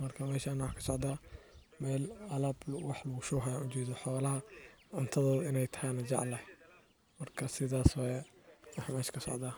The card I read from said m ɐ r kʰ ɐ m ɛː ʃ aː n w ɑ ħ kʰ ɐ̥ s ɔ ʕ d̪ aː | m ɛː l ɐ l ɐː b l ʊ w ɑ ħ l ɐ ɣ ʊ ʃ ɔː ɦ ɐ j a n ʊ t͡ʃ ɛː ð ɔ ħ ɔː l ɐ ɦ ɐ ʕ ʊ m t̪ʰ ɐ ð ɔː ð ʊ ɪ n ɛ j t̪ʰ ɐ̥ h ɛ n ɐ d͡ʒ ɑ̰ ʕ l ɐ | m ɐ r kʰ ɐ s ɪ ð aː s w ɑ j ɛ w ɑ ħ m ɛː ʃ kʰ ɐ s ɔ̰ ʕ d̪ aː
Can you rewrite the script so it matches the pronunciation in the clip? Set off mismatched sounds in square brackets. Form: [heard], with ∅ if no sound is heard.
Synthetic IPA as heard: m ɐ r kʰ ɐ m ɛː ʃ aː n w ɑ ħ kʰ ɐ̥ s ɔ ʕ d̪ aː | m ɛː l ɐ l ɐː b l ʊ w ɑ ħ l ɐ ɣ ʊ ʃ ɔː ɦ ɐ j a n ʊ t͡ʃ ɛː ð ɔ ħ ɔː l ɐ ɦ ɐ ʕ ʊ [n] t̪ʰ ɐ ð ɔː ð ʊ ɪ n ɛ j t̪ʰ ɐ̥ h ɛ n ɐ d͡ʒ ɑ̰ ʕ l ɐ | m ɐ r kʰ ɐ s ɪ ð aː s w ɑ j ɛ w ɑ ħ m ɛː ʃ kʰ ɐ s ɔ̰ ʕ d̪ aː